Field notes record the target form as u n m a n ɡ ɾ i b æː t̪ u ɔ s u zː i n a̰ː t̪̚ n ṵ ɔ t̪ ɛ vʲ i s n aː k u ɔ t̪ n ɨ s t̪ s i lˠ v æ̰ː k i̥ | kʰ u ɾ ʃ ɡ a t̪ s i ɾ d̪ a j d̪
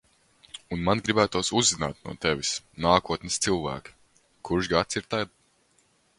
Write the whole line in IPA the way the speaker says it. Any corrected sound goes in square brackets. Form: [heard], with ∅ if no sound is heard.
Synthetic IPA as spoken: u n m a n ɡ ɾ i b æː t̪ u ɔ s u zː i n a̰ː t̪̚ n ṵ ɔ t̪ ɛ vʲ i s n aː k u ɔ t̪ n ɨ s t̪ s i lˠ v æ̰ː k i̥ | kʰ u ɾ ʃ ɡ a t̪ s i ɾ [t̪] a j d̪